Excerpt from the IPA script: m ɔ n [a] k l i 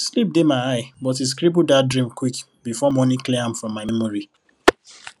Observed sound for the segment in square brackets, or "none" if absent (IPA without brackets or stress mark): i